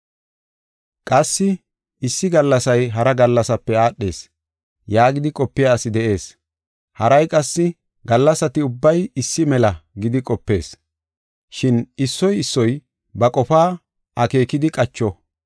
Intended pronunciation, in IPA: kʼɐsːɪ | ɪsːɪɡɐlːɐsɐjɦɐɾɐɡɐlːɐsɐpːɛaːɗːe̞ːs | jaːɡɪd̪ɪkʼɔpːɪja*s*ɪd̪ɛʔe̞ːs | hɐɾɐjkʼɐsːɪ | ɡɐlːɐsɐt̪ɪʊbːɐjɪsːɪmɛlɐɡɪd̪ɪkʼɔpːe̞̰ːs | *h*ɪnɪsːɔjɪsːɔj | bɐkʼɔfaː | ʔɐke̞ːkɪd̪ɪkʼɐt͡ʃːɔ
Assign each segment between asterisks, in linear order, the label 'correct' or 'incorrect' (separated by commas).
correct, incorrect